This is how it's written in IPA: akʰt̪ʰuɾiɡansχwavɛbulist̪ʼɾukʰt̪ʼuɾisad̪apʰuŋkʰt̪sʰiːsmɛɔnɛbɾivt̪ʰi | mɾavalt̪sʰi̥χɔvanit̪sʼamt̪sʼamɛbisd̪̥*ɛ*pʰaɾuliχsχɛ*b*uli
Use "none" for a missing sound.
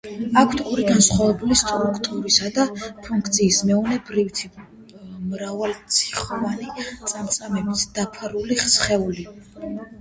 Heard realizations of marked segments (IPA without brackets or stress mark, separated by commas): a, none